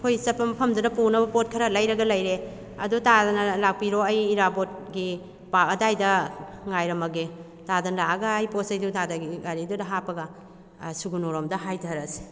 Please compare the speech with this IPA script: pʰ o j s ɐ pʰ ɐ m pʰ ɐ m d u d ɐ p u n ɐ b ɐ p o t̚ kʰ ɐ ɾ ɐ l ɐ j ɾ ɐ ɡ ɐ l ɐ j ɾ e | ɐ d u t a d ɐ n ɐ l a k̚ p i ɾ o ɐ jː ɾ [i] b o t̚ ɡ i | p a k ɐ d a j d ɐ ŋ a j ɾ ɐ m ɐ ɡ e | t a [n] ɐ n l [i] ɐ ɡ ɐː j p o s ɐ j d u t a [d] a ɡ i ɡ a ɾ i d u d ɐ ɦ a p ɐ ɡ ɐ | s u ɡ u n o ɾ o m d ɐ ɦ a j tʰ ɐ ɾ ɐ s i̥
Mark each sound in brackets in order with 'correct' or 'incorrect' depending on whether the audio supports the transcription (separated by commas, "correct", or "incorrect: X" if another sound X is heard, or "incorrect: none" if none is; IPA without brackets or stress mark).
incorrect: a, incorrect: d, incorrect: a, correct